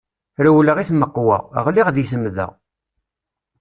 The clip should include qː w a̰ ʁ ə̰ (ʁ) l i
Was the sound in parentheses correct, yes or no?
yes